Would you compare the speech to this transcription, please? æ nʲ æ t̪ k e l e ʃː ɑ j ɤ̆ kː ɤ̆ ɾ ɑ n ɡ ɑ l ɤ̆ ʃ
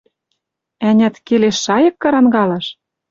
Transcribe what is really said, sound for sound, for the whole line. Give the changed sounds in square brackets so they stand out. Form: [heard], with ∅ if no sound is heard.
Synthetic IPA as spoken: æ nʲ æ t̪ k e l e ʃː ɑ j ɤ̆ kː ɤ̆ ɾ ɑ n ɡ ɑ l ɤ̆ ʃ